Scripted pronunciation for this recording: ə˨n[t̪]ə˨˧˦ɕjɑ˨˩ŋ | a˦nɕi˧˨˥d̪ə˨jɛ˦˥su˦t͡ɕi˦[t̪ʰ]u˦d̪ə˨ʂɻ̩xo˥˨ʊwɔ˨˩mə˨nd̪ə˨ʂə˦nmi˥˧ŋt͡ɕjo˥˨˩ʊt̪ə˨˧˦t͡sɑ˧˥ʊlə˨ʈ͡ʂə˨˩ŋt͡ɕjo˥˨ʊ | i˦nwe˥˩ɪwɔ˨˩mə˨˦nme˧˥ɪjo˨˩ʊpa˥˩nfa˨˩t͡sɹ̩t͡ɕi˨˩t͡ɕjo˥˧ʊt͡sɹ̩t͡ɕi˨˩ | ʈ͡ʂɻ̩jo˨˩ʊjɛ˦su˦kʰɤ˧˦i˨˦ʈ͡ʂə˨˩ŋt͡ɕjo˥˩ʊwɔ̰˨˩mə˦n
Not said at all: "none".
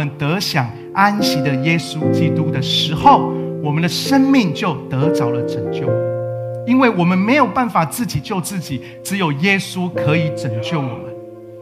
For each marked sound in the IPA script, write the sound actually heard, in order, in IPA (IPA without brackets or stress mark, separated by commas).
t̪, t̪